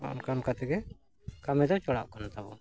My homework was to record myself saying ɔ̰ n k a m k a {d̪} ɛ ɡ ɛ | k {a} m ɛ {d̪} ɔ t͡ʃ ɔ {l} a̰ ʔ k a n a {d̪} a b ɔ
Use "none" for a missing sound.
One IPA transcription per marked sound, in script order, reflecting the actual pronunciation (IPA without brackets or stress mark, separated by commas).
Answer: t̪, a, d̪, ɽ, t̪